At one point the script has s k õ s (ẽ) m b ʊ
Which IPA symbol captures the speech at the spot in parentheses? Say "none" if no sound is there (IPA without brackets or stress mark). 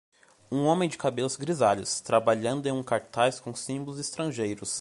ĩ